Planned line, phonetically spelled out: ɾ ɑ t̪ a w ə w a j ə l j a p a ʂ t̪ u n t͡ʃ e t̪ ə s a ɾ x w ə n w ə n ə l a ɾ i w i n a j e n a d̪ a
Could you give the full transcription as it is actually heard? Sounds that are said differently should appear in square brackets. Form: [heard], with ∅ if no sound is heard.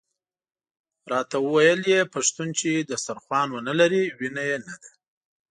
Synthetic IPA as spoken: ɾ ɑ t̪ a w ə w a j ə l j [e] p a ʂ t̪ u n t͡ʃ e [d̪] ə s a ɾ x w [ɑ] n w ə n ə l a ɾ i w i n a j e n a d̪ a